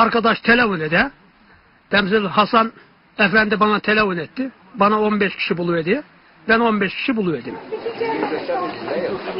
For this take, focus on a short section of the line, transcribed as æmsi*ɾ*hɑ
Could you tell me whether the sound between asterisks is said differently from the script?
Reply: yes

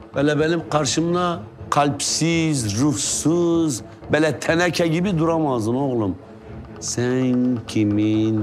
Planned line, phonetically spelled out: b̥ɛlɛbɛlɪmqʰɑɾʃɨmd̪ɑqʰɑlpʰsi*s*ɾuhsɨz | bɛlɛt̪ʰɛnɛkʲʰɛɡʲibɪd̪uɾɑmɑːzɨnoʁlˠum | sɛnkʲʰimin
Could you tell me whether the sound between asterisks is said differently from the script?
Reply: yes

